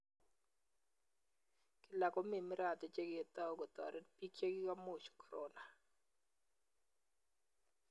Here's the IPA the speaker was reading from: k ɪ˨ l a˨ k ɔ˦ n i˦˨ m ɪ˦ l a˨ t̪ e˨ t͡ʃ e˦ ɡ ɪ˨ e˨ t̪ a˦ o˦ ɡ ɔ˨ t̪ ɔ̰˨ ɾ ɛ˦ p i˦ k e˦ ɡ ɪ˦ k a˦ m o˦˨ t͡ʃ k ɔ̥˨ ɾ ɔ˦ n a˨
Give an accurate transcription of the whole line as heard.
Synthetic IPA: k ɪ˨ l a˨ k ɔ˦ m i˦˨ m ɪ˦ ɾ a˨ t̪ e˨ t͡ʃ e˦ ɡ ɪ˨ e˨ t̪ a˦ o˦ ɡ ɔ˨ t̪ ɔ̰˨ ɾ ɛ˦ p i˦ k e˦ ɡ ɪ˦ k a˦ m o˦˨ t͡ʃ k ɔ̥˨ ɾ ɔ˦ n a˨